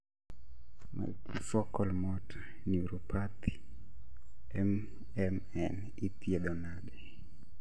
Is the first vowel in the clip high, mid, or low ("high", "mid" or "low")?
low